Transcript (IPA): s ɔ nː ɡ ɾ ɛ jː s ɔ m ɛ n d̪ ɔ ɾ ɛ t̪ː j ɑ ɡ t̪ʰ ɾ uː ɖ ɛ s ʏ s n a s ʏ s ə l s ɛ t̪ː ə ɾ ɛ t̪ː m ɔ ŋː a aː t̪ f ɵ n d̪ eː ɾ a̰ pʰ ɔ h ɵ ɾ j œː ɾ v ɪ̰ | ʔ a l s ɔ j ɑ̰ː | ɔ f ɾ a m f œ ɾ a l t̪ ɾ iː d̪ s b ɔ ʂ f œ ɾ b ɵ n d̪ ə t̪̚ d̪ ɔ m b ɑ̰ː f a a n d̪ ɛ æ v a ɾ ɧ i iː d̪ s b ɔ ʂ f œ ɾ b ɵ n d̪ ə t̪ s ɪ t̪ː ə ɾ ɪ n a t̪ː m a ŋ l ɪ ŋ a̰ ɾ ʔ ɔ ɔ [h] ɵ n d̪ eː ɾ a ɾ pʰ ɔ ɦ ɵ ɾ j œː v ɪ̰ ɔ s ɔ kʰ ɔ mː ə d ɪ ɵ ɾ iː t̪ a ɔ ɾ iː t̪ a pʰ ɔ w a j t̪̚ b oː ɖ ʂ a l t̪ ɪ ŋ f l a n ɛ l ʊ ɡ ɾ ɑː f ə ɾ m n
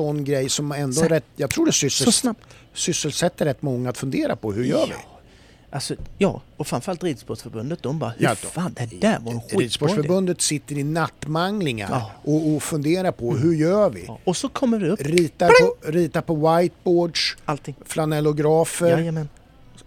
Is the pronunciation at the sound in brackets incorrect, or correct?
incorrect